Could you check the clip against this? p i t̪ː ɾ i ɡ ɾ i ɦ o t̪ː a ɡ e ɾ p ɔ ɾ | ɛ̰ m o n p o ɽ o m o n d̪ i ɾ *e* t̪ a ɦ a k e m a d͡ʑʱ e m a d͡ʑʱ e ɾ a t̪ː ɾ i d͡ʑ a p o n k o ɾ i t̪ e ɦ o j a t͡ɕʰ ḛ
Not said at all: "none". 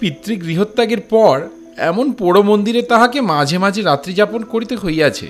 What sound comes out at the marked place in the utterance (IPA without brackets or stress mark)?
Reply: e